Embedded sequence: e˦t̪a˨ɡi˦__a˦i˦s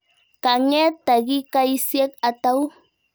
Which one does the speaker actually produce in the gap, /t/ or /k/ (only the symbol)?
k